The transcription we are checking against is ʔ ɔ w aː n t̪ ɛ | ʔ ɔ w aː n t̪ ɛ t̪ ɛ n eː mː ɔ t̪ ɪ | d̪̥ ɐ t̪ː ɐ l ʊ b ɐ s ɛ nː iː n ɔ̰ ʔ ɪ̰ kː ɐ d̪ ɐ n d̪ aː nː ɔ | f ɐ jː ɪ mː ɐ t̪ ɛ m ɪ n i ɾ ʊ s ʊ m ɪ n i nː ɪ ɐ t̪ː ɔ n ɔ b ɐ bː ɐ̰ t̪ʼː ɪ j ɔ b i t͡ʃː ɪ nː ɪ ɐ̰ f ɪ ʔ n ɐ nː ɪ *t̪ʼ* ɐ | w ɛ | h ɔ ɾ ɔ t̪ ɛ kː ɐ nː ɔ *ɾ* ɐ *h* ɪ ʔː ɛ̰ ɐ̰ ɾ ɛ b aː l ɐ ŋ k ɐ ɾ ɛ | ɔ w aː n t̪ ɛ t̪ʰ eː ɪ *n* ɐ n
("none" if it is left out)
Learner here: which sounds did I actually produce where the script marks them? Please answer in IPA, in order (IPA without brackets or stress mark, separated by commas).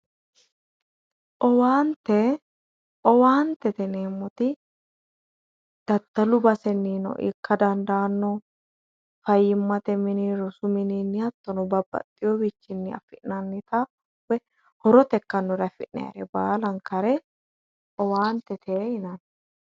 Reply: t̪, ɾ, f, n